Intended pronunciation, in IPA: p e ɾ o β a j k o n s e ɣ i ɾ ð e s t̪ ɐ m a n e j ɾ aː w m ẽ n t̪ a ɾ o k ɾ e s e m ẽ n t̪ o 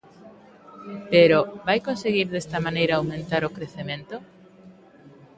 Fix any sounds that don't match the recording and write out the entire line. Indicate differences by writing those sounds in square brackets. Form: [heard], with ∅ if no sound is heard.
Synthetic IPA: p e ɾ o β a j k o n s e ɣ i ɾ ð e s t̪ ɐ m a n e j ɾ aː w m ẽ n t̪ a ɾ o k ɾ e [θ] e m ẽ n t̪ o